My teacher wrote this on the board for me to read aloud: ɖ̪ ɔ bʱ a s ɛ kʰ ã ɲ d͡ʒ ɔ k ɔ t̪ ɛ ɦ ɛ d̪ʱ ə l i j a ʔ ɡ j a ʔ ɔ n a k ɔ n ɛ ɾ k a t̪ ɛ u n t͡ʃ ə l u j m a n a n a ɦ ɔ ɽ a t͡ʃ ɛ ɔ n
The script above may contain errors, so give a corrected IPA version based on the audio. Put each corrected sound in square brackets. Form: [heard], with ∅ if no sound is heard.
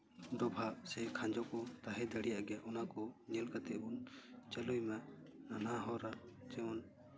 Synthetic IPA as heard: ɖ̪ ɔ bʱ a s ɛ kʰ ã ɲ d͡ʒ ɔ k ɔ t̪ [a] ɦ ɛ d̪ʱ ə [ɽ] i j a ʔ ɡ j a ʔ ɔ n a k ɔ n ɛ [l] k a t̪ ɛ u n t͡ʃ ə l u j m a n a n a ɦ ɔ [ɾ] a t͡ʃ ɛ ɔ n

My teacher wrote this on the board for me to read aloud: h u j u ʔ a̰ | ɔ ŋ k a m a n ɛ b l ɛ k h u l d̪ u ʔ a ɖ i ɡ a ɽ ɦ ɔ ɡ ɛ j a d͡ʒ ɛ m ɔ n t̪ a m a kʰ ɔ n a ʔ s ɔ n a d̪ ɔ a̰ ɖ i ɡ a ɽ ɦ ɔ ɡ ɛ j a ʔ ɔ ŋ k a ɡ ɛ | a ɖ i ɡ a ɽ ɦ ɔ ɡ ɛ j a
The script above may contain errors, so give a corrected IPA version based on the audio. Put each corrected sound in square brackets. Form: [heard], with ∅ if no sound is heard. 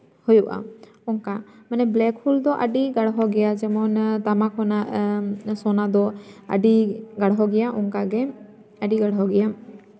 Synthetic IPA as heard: h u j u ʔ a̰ | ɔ ŋ k a m a n ɛ b l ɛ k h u l d̪ [ɔ] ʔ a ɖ i ɡ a ɽ ɦ ɔ ɡ ɛ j a d͡ʒ ɛ m ɔ n t̪ a m a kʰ ɔ n a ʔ s ɔ n a d̪ ɔ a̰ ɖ i ɡ a ɽ ɦ ɔ ɡ ɛ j a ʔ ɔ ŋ k a ɡ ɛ | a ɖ i ɡ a ɽ ɦ ɔ ɡ ɛ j a

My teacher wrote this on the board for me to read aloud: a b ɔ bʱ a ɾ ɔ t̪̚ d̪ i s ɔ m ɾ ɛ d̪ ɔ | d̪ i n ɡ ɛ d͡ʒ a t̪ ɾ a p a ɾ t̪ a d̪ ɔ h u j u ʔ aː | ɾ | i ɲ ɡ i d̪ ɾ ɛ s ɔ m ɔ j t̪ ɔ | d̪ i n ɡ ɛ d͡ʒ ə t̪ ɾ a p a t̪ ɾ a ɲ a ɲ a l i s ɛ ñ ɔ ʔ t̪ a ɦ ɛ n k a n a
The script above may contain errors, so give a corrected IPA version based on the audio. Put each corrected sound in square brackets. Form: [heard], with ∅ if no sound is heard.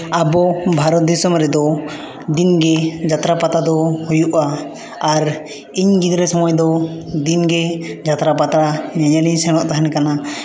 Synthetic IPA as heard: a b ɔ bʱ a ɾ ɔ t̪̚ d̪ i s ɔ m ɾ ɛ d̪ ɔ | d̪ i n ɡ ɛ d͡ʒ a t̪ ɾ a p a [∅] t̪ a d̪ ɔ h u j u ʔ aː | ɾ | i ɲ ɡ i d̪ ɾ ɛ s ɔ m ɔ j [d̪] ɔ | d̪ i n ɡ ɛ d͡ʒ [a] t̪ ɾ a p a t̪ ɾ a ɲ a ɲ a l i s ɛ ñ ɔ ʔ t̪ a ɦ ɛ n k a n a

